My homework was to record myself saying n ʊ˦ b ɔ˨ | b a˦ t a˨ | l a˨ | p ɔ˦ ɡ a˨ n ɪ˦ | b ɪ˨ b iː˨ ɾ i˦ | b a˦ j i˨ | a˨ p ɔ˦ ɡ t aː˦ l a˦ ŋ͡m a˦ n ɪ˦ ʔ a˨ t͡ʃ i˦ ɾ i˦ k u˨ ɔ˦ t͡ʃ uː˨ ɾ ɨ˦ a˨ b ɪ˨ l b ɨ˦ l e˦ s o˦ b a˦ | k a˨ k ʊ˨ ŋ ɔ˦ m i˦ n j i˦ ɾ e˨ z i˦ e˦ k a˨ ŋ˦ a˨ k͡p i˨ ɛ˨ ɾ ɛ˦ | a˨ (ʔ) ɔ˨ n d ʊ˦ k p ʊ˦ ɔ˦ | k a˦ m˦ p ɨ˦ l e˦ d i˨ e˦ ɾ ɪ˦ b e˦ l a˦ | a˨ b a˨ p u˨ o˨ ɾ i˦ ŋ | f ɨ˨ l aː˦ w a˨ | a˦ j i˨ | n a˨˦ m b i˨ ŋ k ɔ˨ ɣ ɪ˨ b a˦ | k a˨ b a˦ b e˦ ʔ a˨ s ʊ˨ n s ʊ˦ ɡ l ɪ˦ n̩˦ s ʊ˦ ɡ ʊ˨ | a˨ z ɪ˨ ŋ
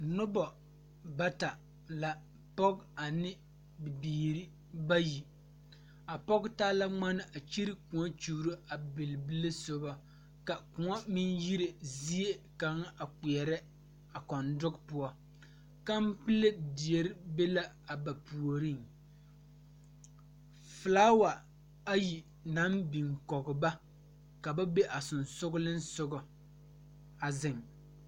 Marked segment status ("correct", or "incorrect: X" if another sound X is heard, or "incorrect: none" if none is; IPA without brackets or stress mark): incorrect: k